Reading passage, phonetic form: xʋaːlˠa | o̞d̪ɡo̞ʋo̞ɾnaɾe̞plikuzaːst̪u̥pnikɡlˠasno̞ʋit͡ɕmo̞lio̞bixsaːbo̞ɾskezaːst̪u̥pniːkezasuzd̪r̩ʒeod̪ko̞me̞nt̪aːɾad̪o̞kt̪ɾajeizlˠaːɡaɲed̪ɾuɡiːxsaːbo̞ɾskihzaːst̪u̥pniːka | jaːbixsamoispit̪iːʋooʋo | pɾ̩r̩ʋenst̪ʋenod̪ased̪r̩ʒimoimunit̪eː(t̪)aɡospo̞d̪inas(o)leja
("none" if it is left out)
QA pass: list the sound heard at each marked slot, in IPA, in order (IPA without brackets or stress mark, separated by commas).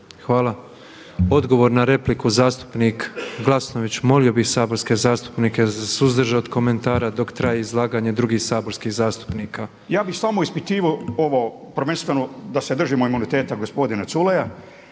t̪, u